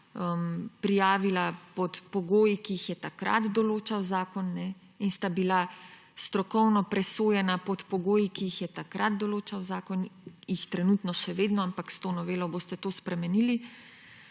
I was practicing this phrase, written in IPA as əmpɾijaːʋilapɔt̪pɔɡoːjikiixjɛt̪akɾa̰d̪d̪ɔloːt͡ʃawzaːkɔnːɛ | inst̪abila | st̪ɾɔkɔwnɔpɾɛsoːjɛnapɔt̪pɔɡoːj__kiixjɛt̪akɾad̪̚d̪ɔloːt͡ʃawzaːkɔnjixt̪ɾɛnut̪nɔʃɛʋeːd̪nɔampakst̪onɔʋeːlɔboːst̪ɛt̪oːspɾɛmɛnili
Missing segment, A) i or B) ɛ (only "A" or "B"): A